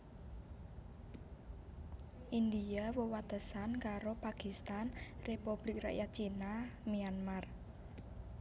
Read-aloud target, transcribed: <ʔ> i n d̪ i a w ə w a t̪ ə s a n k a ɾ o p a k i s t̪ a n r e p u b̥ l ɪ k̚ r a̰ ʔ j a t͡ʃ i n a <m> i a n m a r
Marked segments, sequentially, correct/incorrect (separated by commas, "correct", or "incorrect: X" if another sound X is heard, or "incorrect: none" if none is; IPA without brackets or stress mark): correct, correct